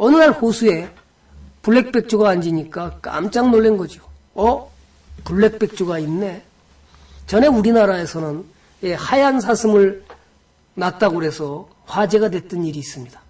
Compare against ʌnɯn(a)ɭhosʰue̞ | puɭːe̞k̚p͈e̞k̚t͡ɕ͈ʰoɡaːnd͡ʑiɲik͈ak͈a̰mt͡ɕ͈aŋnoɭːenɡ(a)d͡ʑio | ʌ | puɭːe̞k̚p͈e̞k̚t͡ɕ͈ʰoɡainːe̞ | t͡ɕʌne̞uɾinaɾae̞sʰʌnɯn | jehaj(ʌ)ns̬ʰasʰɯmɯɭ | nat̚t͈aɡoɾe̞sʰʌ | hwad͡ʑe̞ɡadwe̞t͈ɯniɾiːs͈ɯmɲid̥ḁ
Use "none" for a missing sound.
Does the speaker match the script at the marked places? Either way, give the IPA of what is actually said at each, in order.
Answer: a, ʌ, a

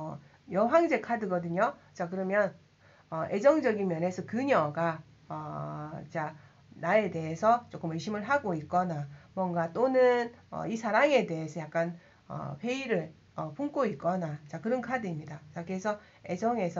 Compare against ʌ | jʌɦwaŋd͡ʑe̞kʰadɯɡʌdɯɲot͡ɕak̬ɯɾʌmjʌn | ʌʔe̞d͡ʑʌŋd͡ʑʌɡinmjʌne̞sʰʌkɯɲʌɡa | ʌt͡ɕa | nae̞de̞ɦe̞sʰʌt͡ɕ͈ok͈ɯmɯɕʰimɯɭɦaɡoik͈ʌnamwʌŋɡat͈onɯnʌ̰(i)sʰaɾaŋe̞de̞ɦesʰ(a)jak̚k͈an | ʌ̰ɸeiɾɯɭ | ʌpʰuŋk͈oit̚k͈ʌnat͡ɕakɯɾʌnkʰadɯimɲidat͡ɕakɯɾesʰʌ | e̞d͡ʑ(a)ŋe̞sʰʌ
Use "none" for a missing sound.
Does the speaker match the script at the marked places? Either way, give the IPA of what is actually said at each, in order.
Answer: i, ʌ, ʌ

